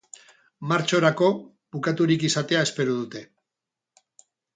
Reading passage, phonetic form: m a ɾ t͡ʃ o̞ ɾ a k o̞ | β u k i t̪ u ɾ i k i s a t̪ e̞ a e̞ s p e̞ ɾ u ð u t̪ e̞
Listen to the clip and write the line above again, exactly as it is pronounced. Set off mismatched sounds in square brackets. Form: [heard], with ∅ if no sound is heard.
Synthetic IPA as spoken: m a ɾ t͡ʃ o̞ ɾ a k o̞ | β u k [a] t̪ u ɾ i k i s a t̪ e̞ a e̞ s p e̞ ɾ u ð u t̪ e̞